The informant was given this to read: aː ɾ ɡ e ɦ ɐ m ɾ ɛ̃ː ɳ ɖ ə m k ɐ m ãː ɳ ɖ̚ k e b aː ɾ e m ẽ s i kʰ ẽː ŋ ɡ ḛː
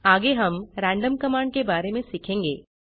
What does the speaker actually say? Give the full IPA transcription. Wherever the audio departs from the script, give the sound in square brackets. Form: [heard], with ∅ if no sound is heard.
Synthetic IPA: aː [∅] ɡ e ɦ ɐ m ɾ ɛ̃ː ɳ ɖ ə m k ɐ m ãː ɳ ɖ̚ k e b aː ɾ e m ẽ s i kʰ ẽː ŋ ɡ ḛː

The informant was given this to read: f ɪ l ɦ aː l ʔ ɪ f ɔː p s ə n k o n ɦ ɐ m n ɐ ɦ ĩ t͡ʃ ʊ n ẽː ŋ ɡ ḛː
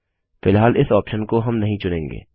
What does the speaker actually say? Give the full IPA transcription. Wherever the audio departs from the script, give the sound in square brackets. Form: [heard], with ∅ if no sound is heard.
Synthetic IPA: f ɪ l ɦ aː l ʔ ɪ [s] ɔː p [ʃ] ə n k o [∅] ɦ ɐ m n ɐ ɦ ĩ t͡ʃ ʊ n ẽː ŋ ɡ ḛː

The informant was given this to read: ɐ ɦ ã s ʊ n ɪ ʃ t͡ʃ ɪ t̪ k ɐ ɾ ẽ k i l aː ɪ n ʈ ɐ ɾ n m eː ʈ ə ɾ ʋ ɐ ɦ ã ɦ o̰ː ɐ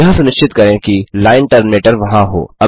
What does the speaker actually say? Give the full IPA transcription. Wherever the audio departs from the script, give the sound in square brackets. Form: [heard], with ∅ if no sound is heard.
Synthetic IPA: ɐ ɦ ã s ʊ n ɪ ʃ t͡ʃ ɪ t̪ k ɐ ɾ ẽ k i l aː ɪ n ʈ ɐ ɾ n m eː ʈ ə ɾ ʋ ɐ ɦ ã ɦ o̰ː ɐ

